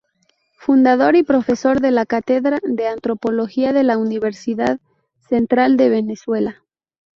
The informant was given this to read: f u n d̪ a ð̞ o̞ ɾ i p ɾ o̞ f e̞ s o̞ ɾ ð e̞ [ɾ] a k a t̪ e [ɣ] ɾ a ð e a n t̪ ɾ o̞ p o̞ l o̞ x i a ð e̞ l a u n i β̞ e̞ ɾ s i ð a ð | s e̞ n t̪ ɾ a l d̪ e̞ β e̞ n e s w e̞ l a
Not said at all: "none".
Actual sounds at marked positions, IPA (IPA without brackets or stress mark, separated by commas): l, ð